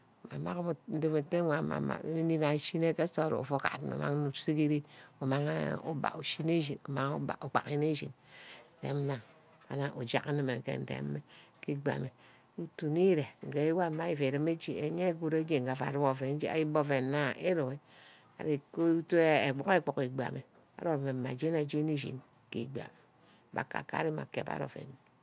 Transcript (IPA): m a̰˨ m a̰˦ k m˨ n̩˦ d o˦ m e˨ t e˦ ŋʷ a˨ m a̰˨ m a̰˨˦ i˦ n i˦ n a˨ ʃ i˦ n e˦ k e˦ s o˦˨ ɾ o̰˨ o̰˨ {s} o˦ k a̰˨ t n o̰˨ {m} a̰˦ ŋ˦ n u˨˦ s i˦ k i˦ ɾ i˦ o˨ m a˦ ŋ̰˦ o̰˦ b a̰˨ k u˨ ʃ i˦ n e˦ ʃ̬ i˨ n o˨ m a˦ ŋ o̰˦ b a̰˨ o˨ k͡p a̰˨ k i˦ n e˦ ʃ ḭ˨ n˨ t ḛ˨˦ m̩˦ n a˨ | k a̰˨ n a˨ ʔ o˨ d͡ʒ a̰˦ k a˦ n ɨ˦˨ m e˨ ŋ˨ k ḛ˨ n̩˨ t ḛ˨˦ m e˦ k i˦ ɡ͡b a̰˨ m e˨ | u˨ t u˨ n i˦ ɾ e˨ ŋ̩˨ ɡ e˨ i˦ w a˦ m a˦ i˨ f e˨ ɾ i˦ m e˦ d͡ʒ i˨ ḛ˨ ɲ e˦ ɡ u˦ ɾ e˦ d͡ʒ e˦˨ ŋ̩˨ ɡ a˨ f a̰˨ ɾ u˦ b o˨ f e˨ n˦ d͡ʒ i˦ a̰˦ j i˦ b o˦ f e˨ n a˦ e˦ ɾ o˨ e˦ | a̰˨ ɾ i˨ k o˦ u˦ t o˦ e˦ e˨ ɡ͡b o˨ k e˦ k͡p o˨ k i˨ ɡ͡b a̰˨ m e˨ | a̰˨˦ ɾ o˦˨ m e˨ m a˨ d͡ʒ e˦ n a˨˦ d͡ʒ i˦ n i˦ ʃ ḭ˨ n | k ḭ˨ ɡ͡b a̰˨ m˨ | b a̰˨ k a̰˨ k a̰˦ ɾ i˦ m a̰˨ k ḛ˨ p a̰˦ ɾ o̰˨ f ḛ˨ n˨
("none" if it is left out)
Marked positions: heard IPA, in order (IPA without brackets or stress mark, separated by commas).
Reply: f, m